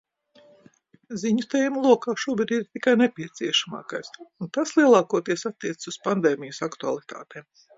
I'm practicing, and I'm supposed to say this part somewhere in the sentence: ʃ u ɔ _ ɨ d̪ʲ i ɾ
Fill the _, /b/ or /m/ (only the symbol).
b